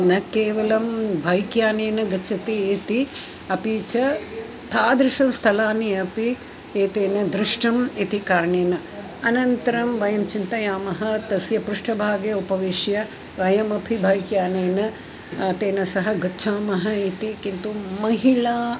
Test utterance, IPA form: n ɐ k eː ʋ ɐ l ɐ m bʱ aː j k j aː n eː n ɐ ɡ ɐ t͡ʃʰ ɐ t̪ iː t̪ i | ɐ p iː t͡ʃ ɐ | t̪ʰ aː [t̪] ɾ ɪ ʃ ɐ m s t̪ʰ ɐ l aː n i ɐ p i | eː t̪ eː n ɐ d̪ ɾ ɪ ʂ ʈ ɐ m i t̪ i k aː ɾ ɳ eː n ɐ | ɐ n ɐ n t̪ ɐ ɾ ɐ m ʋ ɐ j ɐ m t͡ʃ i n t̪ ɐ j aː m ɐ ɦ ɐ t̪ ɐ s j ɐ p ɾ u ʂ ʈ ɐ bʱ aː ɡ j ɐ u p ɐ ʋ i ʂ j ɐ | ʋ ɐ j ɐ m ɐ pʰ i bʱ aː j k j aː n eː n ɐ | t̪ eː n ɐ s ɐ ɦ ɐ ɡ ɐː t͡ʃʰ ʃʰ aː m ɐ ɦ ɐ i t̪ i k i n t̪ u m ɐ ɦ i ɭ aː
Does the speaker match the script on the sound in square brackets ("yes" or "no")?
no